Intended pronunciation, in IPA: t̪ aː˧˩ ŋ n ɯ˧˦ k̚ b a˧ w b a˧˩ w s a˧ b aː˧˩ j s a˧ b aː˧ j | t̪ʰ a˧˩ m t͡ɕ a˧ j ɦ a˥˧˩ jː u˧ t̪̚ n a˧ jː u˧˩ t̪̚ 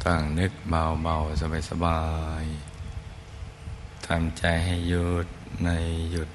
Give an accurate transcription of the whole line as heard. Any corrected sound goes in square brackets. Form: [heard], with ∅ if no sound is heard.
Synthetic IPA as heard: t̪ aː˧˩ ŋ n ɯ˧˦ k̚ b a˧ w b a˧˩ w s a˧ b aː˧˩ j s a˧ b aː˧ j | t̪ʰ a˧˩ m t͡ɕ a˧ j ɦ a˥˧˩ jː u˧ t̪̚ n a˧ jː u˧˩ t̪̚